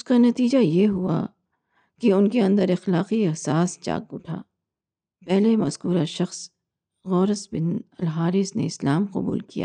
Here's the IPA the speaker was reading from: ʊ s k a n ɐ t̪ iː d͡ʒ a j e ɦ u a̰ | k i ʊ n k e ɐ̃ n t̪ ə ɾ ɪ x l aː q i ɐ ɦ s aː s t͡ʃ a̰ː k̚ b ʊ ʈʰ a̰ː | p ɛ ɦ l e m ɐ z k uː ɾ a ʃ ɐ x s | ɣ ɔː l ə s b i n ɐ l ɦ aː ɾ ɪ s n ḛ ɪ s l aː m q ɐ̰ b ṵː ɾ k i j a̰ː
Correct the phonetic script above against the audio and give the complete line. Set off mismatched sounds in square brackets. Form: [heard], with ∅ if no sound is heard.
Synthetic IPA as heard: ʊ s k a n ɐ t̪ iː d͡ʒ a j e ɦ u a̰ | k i ʊ n k e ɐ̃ n [d̪] ə ɾ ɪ x l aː q i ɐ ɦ s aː s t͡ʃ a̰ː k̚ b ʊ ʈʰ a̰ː | p ɛ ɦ l e m ɐ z k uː ɾ a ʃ ɐ x s | ɣ ɔː [ɾ] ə s b [ɪ] n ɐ l ɦ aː ɾ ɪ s n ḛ ɪ s l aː m q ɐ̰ b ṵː [l] k i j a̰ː